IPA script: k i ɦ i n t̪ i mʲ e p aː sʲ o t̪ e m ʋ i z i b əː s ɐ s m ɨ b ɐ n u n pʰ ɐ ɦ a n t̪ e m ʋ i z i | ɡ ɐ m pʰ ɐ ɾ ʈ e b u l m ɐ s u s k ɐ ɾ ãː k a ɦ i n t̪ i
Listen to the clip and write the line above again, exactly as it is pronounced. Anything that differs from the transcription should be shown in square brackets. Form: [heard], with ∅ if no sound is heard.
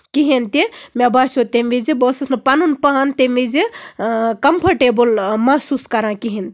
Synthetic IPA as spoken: k i ɦ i n t̪ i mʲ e [b] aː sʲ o t̪ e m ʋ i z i b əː s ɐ s [n] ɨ [p] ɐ n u n [p] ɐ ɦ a n t̪ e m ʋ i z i | [k] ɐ m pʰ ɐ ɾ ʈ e b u l m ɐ s u s k ɐ ɾ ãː k [i] ɦ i n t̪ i

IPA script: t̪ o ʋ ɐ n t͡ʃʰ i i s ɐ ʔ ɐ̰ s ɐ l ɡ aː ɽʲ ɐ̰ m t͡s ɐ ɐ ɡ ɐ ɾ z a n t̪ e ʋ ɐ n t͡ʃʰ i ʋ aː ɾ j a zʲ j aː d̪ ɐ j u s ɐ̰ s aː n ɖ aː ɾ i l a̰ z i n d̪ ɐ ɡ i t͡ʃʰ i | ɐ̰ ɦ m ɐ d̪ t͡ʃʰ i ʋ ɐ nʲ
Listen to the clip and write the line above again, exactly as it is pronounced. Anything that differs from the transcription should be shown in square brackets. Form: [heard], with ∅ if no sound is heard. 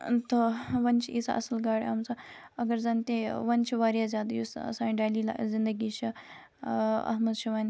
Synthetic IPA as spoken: t̪ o ʋ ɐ n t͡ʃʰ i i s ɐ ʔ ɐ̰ s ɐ l ɡ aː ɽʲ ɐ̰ m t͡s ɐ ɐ ɡ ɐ ɾ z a n t̪ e ʋ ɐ n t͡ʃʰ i ʋ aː ɾ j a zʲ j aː d̪ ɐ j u s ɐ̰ s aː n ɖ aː [l] i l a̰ z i n d̪ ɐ ɡ i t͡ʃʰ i | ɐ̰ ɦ m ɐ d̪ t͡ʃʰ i ʋ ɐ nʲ

